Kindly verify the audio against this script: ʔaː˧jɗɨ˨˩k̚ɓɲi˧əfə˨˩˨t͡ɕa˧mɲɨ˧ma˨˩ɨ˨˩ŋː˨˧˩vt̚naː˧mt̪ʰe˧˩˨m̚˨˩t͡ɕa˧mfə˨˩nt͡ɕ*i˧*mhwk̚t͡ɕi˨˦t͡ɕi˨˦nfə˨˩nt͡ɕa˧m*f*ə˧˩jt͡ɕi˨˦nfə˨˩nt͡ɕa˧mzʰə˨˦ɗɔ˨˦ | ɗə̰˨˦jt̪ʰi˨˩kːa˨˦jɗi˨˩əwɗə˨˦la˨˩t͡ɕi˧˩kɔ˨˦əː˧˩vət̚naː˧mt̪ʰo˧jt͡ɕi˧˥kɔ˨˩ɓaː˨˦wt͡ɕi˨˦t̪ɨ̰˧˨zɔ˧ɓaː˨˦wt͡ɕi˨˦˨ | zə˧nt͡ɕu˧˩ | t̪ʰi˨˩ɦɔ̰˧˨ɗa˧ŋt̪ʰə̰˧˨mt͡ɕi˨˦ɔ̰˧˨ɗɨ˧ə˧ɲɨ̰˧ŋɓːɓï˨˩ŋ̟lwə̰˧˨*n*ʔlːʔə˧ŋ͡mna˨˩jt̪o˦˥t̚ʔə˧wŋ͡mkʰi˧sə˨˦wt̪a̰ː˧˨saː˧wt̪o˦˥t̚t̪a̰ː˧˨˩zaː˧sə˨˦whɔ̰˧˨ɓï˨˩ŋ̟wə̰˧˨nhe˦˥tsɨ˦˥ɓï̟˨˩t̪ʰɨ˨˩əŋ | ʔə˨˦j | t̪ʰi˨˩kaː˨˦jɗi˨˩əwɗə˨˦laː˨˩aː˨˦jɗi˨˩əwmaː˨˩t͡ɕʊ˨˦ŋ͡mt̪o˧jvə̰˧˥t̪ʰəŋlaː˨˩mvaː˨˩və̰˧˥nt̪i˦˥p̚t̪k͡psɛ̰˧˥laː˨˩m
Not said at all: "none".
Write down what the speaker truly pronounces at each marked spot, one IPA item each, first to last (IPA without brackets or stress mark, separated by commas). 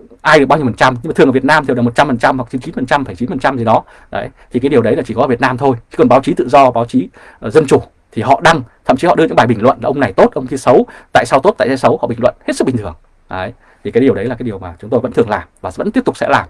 a˧, f, n